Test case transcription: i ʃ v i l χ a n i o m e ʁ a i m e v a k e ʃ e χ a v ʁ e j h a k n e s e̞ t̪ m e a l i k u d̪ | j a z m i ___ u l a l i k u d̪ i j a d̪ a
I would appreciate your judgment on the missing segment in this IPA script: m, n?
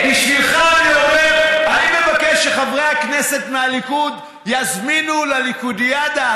n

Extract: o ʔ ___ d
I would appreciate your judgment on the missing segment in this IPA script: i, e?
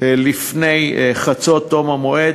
e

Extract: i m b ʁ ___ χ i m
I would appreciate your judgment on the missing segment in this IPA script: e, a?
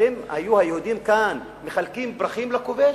a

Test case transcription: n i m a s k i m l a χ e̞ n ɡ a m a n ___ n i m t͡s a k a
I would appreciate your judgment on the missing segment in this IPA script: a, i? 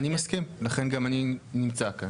i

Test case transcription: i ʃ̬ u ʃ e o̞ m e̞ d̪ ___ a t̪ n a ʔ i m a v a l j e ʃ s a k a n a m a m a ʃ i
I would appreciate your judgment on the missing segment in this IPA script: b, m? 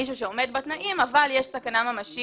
b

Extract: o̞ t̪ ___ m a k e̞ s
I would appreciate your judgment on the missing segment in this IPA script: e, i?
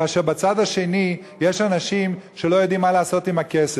i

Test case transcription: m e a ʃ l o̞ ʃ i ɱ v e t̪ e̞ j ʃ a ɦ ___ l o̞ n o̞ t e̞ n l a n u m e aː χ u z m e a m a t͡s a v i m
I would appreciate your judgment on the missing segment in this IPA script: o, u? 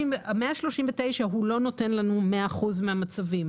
u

